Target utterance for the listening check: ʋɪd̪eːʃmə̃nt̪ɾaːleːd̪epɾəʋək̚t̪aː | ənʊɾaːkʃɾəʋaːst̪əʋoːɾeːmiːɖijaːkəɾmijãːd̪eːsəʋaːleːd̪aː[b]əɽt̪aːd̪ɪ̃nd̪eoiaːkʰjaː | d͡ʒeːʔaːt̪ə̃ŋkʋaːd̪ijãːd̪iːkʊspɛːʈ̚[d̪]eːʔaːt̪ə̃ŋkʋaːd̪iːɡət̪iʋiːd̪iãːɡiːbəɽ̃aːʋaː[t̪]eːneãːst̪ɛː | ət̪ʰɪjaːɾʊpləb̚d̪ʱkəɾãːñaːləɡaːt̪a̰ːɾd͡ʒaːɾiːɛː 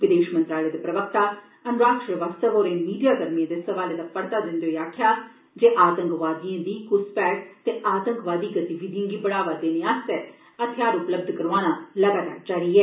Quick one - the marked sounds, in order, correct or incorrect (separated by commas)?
incorrect, incorrect, incorrect